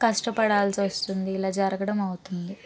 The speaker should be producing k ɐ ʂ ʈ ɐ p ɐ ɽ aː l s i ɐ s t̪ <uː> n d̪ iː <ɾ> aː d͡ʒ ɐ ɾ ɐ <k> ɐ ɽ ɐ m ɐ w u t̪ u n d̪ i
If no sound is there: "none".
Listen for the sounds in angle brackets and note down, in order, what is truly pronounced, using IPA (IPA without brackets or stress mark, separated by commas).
u, l, ɡ